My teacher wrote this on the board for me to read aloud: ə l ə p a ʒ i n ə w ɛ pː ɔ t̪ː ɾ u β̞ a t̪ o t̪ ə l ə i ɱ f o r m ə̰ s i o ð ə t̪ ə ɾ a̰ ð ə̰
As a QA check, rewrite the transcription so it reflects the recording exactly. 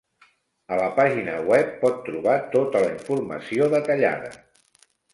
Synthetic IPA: ə l ə p a ʒ i n ə w ɛ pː ɔ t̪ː ɾ u β̞ a t̪ o t̪ ə l ə i ɱ f u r m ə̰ s i o ð ə t̪ ə ʎ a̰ ð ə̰